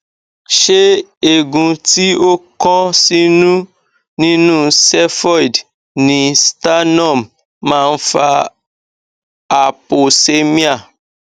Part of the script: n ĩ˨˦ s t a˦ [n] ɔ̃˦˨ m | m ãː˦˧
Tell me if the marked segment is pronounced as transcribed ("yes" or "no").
yes